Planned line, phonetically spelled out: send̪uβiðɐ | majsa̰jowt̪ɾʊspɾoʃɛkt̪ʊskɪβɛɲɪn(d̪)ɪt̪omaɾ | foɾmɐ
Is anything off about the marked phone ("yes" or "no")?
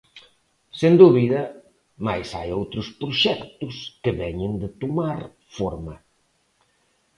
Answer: no